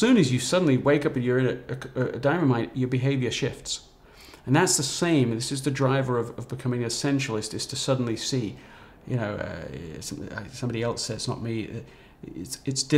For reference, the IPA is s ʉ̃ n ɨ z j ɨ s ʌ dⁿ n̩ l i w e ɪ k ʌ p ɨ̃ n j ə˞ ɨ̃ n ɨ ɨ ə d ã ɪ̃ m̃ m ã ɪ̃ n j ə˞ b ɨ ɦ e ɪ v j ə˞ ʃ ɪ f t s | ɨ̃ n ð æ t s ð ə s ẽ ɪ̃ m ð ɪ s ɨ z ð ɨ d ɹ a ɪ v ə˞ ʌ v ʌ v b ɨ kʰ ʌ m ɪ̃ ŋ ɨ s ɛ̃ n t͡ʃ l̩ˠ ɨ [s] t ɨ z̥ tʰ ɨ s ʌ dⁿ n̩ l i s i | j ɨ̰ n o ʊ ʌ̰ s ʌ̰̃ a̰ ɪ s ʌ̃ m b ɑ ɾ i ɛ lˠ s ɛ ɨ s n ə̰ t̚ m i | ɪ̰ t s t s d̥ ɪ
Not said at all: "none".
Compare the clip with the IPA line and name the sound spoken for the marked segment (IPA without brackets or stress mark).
s